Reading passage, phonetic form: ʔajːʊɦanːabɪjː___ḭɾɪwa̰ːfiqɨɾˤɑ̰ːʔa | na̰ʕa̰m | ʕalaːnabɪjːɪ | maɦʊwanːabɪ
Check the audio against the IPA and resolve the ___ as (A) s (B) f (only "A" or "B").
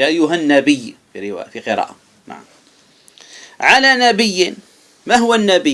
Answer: B